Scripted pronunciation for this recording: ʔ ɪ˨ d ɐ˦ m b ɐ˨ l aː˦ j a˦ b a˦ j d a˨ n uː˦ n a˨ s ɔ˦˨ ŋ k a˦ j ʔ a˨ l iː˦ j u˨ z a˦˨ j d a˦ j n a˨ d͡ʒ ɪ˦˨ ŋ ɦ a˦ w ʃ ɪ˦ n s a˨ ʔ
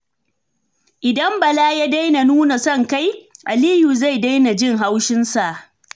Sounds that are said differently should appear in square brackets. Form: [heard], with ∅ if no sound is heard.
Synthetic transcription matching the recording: ʔ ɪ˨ d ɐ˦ m b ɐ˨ l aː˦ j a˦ [d] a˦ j [n] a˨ n uː˦ n a˨ s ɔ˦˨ ŋ k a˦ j ʔ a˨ l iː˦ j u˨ z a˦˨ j d a˦ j n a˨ d͡ʒ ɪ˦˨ ŋ ɦ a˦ w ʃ ɪ˦ n s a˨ ʔ